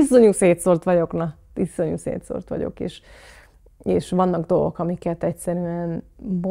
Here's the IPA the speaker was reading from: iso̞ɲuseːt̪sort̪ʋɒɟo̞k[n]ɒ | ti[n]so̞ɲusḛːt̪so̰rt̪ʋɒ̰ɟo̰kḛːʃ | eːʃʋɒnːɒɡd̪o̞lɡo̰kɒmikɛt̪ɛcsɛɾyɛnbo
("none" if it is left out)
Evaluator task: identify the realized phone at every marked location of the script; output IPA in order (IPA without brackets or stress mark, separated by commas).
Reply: n, none